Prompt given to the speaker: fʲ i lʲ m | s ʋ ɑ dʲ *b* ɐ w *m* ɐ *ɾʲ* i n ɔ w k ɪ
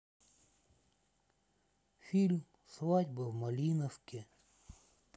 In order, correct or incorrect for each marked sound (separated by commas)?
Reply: correct, correct, incorrect